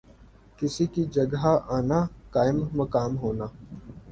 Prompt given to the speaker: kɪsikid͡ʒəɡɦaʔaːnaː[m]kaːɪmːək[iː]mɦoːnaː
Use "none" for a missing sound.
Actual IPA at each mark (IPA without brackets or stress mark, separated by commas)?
none, aː